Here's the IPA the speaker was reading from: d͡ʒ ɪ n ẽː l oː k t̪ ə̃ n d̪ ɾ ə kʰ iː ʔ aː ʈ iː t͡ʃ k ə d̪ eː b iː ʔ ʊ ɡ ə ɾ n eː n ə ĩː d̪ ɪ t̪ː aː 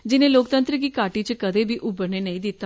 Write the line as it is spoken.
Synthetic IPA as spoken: d͡ʒ ɪ n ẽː l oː k t̪ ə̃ n t̪ ɾ ə k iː k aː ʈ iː t͡ʃ k ə d̪ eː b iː ʔ ʊ b ə ɾ n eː n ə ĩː d̪ ɪ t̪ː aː